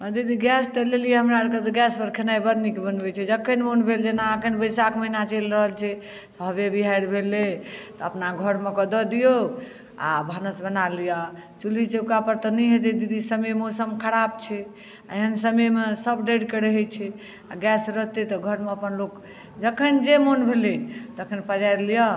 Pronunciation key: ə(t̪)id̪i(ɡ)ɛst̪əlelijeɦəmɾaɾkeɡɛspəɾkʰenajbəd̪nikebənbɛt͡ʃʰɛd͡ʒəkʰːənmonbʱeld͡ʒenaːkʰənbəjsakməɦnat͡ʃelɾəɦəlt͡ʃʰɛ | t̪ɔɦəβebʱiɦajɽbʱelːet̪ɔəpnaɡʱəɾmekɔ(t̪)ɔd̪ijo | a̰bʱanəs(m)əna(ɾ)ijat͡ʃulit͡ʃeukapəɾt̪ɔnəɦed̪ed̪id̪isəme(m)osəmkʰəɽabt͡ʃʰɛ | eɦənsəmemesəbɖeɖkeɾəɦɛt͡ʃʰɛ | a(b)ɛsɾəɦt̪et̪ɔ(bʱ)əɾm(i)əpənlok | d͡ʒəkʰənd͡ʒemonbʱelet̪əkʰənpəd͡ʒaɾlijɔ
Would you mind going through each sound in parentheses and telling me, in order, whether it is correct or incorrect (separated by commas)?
incorrect, correct, incorrect, incorrect, incorrect, correct, incorrect, incorrect, incorrect